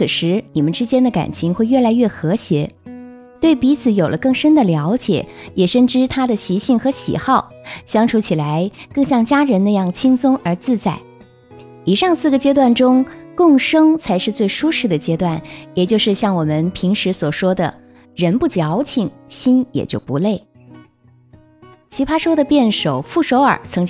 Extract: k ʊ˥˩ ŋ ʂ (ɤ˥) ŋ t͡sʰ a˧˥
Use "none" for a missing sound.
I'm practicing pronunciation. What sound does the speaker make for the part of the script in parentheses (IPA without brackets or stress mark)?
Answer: ɤ˥